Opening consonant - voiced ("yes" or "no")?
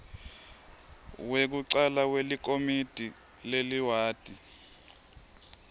yes